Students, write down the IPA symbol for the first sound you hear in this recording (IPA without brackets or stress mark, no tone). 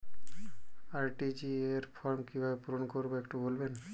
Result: a